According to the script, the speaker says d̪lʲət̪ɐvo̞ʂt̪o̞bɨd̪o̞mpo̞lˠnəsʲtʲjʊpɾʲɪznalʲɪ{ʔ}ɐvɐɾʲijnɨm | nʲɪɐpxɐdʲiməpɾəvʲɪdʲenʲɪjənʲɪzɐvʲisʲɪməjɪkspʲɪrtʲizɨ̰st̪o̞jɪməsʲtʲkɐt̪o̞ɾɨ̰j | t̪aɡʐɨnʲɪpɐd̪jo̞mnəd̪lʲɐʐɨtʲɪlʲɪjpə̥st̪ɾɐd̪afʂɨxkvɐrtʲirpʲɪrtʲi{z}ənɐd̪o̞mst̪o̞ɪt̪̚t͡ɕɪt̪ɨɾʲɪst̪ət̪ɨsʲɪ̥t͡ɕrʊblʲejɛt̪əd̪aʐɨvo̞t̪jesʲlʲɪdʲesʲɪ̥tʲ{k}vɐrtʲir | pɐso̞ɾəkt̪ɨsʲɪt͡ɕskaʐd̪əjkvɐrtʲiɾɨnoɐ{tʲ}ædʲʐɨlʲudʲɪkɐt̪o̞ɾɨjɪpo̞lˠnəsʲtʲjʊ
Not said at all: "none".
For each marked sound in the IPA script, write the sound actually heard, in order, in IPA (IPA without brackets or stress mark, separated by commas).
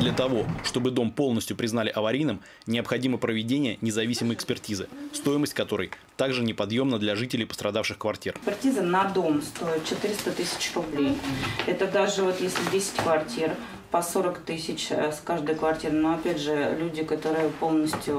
ʔ, z, k, pʲ